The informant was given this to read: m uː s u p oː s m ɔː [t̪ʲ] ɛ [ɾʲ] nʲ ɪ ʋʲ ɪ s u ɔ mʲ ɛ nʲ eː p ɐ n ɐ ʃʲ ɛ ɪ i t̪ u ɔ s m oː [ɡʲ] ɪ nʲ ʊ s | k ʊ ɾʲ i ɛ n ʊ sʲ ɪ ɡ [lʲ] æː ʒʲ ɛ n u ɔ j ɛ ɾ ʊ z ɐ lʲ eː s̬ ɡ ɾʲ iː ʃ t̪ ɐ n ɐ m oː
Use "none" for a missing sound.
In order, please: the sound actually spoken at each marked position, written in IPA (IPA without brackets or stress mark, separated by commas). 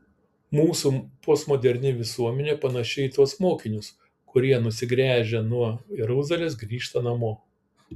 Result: d̪ʲ, ɾʲ, kʲ, ɾʲ